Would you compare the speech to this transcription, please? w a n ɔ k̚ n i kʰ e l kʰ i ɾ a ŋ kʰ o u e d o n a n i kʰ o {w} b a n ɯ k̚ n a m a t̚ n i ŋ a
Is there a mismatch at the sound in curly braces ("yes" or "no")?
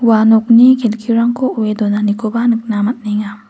yes